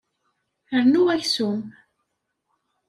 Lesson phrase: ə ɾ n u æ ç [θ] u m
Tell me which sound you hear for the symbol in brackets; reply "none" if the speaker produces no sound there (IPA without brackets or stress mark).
s